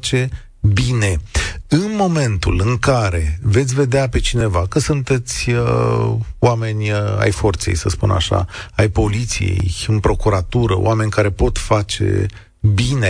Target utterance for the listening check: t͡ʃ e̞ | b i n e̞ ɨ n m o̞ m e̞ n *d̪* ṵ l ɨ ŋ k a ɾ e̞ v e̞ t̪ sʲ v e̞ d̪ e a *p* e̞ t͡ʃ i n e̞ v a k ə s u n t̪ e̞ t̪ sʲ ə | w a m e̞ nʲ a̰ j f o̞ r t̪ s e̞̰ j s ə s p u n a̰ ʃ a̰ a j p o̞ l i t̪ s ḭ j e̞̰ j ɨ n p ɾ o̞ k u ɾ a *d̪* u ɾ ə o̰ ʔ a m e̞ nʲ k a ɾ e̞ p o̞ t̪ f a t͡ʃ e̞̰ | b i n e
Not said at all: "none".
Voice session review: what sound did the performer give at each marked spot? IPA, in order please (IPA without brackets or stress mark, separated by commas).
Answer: t̪, p, t̪